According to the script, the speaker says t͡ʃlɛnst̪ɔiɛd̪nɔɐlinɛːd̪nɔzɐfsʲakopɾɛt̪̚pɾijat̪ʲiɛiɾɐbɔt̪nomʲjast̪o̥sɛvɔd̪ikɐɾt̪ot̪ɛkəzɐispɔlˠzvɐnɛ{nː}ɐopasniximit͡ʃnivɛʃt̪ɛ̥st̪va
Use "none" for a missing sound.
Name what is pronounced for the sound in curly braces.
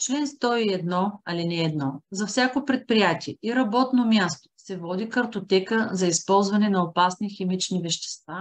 n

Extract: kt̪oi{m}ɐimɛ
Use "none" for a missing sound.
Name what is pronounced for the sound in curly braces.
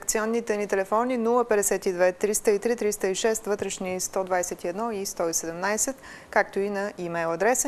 n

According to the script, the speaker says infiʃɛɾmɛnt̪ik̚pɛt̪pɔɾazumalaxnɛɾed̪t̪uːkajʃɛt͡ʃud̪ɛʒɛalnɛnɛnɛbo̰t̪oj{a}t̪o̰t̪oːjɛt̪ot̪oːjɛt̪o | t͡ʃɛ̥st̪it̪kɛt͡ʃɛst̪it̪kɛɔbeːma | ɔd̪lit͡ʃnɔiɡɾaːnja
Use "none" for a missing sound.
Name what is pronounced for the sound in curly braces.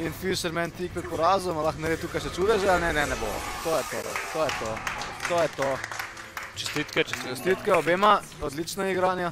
ɛ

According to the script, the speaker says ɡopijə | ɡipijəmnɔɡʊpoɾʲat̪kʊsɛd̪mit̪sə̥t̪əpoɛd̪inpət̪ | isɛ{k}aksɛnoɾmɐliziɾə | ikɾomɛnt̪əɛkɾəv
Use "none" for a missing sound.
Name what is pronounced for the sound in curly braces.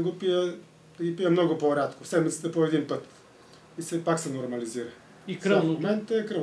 p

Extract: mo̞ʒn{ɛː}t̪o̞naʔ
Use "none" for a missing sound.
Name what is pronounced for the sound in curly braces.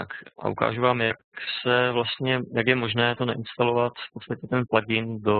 ɛː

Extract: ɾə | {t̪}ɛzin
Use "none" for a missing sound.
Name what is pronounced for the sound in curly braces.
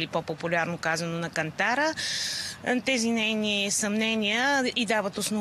t̪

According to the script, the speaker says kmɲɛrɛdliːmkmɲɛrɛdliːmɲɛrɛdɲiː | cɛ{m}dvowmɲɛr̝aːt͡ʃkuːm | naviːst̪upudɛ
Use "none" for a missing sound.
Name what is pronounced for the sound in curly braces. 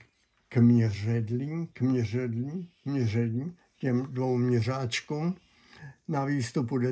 m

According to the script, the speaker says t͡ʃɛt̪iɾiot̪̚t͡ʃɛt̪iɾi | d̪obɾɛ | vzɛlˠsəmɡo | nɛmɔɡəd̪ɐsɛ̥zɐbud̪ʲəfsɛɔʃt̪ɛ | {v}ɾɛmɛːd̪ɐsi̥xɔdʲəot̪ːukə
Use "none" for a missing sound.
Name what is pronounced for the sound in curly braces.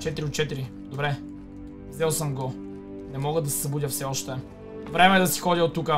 v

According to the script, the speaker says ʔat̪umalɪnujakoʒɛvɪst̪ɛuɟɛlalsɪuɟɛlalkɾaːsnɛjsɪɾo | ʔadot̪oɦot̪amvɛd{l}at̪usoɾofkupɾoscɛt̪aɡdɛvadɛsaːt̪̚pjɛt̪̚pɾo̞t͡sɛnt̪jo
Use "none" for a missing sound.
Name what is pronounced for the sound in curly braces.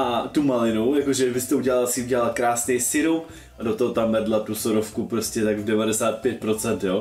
l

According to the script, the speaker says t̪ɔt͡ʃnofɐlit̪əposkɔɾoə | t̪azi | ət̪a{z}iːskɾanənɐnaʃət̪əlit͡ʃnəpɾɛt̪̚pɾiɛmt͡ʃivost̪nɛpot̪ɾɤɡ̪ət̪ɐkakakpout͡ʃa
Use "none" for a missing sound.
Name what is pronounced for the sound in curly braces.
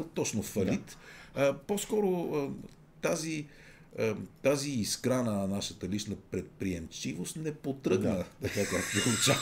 z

